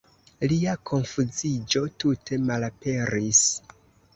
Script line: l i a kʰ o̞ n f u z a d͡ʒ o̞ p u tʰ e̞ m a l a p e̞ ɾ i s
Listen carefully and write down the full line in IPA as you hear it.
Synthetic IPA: l i a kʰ o̞ n f u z i d͡ʒ o̞ t u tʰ e̞ m a l a p e̞ ɾ i s